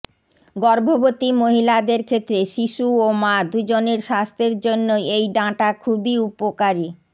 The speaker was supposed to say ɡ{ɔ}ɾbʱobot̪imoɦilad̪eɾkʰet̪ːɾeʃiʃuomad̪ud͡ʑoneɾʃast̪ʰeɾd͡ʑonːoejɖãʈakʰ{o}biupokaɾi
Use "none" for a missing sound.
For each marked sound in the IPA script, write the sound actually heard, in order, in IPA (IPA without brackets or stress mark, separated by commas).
ɔ, u